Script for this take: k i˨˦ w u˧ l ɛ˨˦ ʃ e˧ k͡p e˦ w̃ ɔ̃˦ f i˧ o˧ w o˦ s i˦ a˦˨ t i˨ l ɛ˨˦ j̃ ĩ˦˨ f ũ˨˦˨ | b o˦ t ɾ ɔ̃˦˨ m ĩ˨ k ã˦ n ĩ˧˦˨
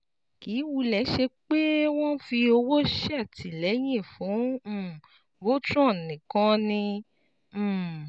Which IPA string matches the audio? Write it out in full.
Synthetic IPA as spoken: k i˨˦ w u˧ l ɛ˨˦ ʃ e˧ k͡p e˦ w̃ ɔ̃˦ f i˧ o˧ w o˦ ʃ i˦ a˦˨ t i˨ l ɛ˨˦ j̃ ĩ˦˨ f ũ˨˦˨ | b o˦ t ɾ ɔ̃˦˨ n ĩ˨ k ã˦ n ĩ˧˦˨

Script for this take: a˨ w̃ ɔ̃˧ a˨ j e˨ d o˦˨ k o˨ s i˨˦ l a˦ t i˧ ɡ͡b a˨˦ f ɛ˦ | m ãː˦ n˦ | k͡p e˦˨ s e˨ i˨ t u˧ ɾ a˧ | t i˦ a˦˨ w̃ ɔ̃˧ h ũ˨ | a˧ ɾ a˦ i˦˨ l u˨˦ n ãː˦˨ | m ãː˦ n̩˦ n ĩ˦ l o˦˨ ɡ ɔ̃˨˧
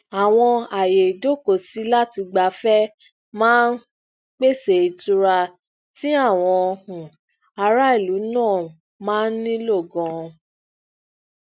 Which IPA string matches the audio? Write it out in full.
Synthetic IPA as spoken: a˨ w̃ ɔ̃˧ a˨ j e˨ d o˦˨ k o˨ s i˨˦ l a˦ t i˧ ɡ͡b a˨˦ f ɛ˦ | m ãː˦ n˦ | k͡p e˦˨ s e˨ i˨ t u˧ ɾ a˧ | t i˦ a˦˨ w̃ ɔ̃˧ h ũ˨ | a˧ ɾ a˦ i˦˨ l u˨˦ n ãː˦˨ | m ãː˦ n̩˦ n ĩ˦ l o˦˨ ɡ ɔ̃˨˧

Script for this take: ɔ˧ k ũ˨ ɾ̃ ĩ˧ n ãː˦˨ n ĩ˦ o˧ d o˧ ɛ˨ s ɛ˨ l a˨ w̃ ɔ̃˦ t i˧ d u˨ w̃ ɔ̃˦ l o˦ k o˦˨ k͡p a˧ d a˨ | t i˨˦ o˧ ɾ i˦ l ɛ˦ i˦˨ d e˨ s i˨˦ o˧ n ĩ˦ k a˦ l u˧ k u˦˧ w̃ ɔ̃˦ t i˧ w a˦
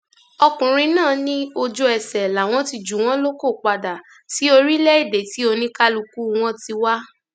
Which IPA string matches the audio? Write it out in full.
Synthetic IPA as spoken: ɔ˧ k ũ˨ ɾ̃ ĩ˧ n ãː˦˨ n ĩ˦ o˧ d͡ʒ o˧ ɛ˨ s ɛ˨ l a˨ w̃ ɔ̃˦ t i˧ d͡ʒ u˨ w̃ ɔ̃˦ l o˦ k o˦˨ k͡p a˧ d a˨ | t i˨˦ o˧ ɾ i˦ l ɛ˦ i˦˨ d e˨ t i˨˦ o˧ n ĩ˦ k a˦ l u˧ k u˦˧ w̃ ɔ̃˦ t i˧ w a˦

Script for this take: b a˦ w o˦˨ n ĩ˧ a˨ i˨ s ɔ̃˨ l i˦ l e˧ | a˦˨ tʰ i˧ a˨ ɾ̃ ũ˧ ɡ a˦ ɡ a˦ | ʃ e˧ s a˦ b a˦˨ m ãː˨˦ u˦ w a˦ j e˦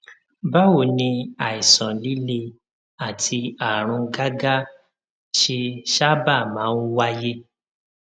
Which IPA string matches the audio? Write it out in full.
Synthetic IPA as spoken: b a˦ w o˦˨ n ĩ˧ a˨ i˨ s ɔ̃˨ l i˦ l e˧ | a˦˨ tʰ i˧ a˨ ɾ̃ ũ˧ ɡ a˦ ɡ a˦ | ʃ e˧ ʃ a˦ b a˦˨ m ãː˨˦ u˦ w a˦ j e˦

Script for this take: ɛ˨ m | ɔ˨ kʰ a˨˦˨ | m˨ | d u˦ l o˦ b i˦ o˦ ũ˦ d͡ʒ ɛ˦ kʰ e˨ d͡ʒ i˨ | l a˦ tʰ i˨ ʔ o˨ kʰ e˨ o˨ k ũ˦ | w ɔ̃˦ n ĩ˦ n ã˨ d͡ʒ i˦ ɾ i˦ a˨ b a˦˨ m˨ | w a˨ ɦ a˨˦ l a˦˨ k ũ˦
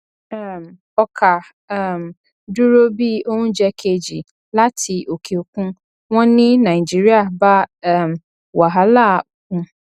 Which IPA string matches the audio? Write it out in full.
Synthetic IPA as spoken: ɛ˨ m | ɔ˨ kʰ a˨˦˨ | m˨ | d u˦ ɾ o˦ b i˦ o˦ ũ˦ d͡ʒ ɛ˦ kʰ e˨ d͡ʒ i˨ | l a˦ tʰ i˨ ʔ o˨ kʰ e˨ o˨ k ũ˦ | w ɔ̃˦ n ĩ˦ n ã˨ d͡ʒ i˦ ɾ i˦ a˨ b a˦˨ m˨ | w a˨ ɦ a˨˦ l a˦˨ k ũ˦

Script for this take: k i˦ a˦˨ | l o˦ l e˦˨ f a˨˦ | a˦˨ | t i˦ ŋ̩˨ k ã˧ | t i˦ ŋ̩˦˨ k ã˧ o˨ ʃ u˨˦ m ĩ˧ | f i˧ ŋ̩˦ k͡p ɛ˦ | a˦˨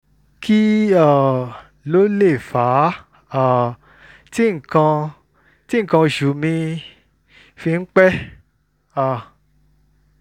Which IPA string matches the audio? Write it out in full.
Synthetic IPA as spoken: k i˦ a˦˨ | l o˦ l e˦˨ f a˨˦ | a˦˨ | t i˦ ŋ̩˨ k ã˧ | t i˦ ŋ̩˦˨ k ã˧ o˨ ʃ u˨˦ m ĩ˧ | f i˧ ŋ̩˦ k͡p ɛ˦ | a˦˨

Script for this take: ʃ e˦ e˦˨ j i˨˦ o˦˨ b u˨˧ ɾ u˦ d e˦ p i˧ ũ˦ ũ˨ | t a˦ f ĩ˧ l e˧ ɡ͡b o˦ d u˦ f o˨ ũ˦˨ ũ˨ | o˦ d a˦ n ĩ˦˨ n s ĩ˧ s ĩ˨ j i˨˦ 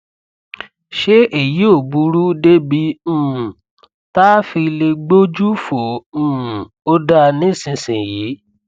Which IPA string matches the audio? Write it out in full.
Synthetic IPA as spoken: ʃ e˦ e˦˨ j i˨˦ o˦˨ b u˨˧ ɾ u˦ d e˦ b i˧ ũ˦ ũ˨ | t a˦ f i˧ l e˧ ɡ͡b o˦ d͡ʒ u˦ f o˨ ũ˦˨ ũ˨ | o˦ d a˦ n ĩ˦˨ s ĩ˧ s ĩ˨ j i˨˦

